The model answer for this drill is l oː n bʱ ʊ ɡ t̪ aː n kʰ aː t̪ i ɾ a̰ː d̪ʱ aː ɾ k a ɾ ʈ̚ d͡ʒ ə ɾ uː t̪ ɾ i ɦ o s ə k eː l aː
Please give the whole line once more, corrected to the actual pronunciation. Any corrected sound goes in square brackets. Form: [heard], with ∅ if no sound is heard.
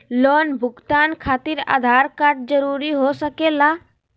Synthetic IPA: l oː n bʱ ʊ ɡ t̪ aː n kʰ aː t̪ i ɾ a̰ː d̪ʱ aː ɾ k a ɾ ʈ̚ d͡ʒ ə ɾ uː [∅] ɾ i ɦ o s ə k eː l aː